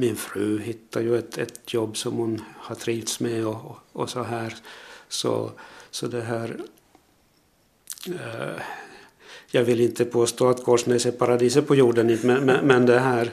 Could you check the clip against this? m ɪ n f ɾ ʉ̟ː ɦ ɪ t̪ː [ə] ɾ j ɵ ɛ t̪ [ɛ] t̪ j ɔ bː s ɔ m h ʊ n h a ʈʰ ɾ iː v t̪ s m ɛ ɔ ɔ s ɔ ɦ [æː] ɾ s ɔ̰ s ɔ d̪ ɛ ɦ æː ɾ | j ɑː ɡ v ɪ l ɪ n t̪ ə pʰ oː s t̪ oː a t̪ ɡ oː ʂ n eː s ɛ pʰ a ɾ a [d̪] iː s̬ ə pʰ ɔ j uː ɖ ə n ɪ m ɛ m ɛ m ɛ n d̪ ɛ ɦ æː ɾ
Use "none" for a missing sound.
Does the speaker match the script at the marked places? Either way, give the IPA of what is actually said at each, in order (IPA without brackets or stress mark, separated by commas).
a, ɛ, æː, d̪